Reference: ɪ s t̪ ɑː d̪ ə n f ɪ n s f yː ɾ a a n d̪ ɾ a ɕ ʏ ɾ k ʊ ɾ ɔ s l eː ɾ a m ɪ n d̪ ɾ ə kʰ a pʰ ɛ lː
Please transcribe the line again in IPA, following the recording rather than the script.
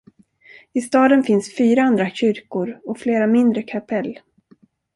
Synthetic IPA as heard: ɪ s t̪ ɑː d̪ ə n f ɪ n s f yː ɾ a a n d̪ ɾ a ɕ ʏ ɾ k ʊ ɾ ɔ f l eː ɾ a m ɪ n d̪ ɾ ə kʰ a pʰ ɛ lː